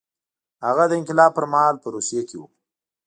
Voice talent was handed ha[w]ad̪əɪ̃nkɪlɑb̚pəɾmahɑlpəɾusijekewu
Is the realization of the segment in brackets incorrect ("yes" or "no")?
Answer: yes